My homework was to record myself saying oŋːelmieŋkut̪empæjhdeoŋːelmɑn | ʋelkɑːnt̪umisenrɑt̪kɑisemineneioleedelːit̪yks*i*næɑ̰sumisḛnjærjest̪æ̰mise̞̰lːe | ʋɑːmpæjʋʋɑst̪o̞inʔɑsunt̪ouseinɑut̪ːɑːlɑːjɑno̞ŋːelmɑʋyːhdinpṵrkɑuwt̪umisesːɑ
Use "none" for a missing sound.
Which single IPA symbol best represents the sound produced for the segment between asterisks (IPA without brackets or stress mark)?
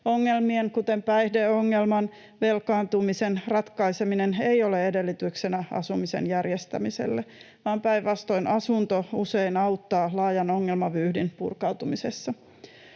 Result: e